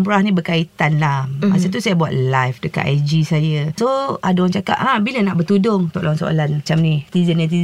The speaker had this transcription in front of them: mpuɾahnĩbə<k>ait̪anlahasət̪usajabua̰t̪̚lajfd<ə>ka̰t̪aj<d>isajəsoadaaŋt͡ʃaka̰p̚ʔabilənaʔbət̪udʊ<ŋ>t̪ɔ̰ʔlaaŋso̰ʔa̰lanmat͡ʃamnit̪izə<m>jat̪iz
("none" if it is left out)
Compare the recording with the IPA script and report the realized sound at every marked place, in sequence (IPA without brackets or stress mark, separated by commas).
k, ə, d͡ʒ, ŋ, n